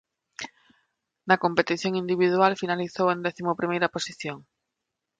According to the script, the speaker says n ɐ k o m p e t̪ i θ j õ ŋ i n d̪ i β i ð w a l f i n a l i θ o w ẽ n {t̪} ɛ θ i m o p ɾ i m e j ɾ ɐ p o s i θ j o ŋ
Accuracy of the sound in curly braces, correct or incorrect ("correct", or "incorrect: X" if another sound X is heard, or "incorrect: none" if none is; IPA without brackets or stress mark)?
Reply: incorrect: d̪